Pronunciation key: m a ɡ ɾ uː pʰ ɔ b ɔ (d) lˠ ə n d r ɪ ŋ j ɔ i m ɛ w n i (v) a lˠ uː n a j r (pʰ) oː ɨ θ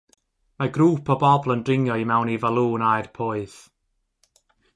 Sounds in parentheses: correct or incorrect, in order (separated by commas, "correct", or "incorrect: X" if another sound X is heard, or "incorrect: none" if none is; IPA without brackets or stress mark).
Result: incorrect: b, correct, correct